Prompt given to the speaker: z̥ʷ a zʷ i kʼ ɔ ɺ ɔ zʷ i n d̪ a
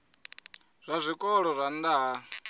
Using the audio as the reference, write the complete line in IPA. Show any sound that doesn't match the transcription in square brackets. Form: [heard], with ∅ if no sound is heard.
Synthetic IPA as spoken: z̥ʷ a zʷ i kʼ ɔ ɺ ɔ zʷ [a] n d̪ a